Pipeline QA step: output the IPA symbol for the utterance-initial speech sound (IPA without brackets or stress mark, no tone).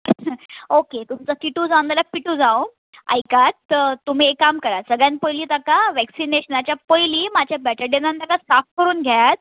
o